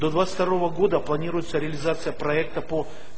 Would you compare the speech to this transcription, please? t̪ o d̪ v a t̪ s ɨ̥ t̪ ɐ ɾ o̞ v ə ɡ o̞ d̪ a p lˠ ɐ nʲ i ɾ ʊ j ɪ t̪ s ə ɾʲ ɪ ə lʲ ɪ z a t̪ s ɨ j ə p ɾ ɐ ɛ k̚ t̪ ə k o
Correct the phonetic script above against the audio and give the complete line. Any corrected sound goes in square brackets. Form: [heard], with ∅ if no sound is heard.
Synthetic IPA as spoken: [d̪] o d̪ v a t̪ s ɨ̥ t̪ ɐ ɾ o̞ v ə ɡ o̞ d̪ [ə] p lˠ ɐ nʲ i ɾ ʊ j ɪ t̪ s ə ɾʲ ɪ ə lʲ ɪ z a t̪ s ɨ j ə p ɾ ɐ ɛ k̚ t̪ ə [p] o